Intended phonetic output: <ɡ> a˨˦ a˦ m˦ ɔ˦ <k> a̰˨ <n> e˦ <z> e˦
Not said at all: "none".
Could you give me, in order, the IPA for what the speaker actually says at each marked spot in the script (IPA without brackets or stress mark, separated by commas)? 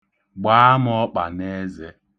ɡ͡b, k͡p, n, z